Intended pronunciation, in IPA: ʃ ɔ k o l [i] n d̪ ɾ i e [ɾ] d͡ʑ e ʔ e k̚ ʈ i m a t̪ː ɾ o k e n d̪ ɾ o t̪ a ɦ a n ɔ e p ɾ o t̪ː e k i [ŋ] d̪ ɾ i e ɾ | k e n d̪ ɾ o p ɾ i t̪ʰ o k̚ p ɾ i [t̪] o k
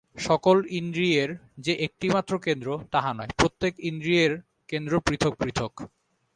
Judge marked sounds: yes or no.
yes, yes, no, no

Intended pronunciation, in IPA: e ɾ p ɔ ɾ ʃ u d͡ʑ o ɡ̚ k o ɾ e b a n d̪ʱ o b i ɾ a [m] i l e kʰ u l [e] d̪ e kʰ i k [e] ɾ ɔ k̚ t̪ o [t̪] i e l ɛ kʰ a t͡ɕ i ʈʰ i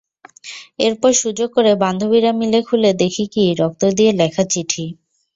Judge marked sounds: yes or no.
yes, yes, no, no

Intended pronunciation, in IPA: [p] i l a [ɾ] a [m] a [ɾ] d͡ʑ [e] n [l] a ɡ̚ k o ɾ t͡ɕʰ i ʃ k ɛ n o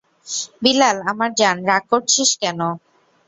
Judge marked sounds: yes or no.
no, no, yes, yes, no, no

